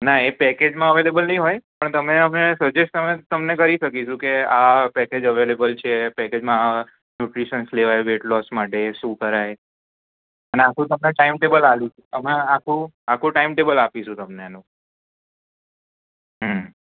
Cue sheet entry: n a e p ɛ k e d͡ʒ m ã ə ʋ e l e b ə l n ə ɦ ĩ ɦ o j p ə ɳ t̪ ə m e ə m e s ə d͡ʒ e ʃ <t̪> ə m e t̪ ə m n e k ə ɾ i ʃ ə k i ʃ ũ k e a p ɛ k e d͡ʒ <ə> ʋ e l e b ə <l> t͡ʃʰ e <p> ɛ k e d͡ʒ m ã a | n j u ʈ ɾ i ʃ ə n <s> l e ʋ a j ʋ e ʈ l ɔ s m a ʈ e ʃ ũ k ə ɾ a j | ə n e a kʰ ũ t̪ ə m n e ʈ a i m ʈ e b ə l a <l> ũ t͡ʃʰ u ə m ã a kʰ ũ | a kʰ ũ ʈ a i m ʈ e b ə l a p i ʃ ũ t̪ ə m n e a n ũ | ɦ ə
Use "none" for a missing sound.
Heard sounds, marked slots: t̪, ə, l, p, s, l

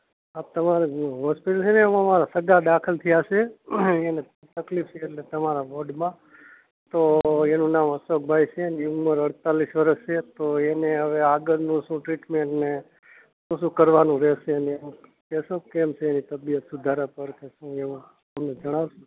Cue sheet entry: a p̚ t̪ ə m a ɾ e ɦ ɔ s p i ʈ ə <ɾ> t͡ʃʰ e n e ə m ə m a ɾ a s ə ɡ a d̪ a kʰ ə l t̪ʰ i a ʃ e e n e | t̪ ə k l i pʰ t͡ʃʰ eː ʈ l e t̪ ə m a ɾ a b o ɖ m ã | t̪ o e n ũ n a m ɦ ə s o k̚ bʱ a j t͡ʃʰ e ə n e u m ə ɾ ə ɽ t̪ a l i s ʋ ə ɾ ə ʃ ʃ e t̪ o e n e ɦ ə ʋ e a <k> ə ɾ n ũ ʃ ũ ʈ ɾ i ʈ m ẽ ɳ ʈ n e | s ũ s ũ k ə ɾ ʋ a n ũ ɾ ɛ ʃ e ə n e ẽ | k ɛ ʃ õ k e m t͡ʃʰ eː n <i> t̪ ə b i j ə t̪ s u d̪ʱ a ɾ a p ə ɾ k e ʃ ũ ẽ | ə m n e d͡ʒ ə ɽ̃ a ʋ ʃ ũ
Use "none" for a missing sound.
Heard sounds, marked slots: l, ɡ, i

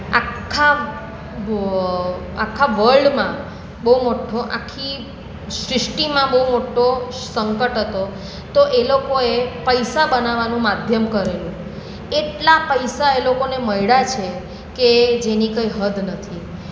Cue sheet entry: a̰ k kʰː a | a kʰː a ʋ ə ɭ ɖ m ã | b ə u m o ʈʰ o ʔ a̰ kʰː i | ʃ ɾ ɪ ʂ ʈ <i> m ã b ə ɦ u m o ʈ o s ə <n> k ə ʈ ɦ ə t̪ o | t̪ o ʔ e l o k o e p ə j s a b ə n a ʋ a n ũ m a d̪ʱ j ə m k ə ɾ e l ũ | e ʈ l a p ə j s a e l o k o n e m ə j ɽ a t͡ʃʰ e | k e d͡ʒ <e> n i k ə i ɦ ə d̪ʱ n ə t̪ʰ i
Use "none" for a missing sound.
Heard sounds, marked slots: i, ŋ, e

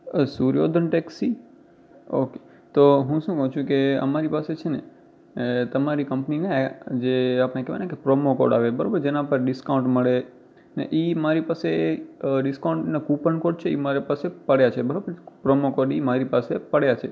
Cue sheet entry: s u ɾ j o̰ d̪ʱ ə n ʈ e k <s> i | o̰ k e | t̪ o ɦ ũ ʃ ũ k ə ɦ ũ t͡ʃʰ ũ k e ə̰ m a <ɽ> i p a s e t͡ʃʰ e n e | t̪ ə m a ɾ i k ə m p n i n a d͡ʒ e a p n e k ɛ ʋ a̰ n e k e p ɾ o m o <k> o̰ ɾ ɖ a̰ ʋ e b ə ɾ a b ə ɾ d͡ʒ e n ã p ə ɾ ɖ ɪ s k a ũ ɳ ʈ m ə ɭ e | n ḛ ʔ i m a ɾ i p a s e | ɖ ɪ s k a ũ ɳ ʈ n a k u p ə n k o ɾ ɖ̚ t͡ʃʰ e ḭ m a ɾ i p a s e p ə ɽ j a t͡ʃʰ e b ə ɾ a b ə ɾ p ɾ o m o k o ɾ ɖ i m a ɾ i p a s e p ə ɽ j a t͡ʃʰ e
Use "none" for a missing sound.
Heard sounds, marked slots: s, ɾ, k

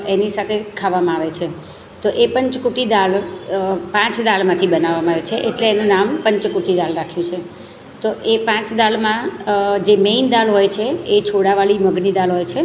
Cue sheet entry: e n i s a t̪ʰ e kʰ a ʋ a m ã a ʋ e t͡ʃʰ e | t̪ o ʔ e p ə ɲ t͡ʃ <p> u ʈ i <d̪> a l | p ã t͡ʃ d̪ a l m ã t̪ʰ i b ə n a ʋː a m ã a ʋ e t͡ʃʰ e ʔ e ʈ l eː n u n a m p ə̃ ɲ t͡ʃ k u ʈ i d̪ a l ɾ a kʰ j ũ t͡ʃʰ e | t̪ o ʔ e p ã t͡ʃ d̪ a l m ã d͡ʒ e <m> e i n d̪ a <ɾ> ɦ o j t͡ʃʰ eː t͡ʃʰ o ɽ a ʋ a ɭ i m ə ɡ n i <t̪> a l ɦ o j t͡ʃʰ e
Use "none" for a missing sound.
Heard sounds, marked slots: k, d̪, m, l, d̪

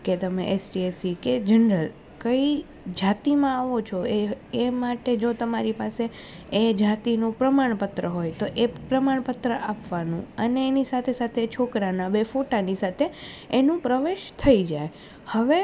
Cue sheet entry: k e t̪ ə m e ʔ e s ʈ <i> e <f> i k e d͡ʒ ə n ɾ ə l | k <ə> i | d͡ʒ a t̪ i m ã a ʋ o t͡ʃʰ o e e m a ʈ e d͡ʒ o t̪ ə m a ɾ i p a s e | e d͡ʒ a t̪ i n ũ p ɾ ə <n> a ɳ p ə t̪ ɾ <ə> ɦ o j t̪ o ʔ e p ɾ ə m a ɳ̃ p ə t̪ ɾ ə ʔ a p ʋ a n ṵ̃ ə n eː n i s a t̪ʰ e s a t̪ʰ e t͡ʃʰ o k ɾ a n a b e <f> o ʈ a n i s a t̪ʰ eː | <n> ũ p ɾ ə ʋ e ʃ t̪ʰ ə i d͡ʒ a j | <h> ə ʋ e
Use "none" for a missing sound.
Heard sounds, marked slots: i, s, ə, m, ə, f, n, h

